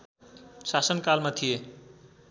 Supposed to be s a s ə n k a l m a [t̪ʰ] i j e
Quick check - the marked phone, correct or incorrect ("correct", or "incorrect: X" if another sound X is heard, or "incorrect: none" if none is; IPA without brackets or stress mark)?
correct